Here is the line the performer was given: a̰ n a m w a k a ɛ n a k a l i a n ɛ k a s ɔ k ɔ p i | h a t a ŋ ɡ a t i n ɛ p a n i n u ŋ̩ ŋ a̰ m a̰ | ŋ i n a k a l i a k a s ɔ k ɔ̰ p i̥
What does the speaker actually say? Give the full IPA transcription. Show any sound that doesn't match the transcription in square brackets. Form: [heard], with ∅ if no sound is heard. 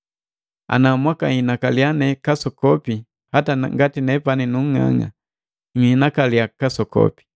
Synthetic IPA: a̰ n a m w a k a [i] n a k a l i a n ɛ k a s ɔ k ɔ p i | h a t a ŋ ɡ a t i n ɛ p a n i n u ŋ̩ ŋ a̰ [ŋ] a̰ | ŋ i n a k a l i a k a s ɔ k ɔ̰ p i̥